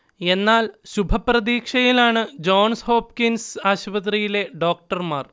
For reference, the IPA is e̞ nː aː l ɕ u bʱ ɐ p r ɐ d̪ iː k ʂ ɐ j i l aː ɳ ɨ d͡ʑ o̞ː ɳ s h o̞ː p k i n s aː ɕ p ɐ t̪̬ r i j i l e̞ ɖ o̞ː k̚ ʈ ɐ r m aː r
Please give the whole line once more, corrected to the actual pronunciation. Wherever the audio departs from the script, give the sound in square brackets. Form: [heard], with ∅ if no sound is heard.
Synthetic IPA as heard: e̞ nː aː l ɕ u bʱ ɐ p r ɐ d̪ iː k ʂ ɐ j i l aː ɳ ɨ d͡ʑ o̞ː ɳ s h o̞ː p k i n s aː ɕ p ɐ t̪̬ r i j i l e̞ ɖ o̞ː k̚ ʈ ɐ r m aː r